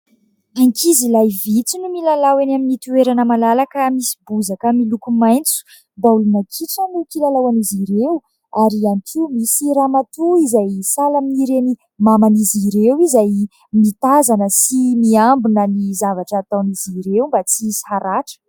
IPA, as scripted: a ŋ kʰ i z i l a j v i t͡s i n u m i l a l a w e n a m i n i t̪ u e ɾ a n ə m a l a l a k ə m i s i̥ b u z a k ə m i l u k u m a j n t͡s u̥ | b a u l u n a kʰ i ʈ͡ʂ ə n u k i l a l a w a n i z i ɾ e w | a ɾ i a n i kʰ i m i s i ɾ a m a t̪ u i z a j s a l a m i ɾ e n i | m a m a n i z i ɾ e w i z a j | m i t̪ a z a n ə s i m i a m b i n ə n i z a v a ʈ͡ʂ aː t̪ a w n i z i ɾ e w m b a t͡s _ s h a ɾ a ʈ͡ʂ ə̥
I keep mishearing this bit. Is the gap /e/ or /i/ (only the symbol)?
i